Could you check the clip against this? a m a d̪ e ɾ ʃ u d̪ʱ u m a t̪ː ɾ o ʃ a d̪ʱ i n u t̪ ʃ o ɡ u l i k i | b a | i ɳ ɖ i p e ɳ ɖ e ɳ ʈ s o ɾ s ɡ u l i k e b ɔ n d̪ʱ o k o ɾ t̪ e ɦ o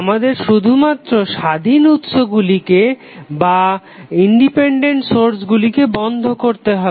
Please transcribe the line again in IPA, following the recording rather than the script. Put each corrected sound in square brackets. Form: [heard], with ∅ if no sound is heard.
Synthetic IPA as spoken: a m a d̪ e ɾ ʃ u d̪ʱ u m a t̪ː ɾ o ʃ a d̪ʱ i n u t̪ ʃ o ɡ u l i k [e] | b a | i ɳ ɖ i p e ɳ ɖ e ɳ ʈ s o ɾ s ɡ u l i k e b ɔ n d̪ʱ o k o ɾ t̪ e ɦ [ɔ]